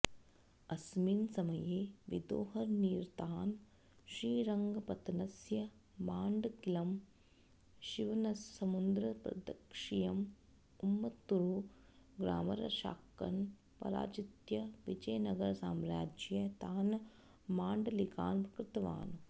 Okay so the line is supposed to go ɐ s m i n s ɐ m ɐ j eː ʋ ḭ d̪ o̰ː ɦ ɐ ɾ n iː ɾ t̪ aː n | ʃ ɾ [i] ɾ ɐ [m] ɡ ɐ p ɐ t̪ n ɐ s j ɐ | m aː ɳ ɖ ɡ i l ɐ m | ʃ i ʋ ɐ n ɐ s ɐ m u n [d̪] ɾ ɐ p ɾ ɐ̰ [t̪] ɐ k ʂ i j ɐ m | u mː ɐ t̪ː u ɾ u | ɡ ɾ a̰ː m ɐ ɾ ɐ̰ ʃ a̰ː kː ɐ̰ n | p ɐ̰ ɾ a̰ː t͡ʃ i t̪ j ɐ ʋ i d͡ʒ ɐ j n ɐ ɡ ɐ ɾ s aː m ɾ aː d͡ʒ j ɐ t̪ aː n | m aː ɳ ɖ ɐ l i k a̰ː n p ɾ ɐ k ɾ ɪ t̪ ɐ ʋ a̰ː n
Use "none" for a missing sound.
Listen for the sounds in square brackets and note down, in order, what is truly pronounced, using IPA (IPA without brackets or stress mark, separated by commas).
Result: iː, ŋ, d̪, d̪